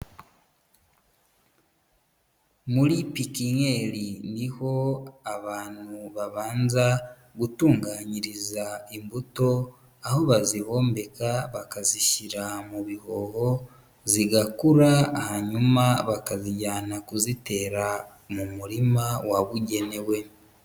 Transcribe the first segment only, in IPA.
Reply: m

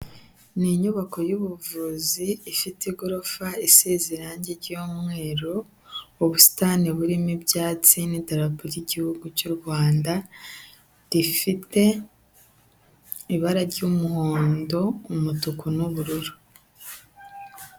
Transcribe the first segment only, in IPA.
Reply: n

